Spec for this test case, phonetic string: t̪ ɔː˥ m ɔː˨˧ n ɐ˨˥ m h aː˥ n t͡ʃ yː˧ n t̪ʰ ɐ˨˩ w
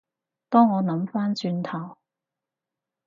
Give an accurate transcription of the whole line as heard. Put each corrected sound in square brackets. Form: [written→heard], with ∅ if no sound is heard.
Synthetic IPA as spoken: t̪ ɔː˥ [m→ŋ] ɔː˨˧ n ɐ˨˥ m [h→f] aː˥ n t͡ʃ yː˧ n t̪ʰ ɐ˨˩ w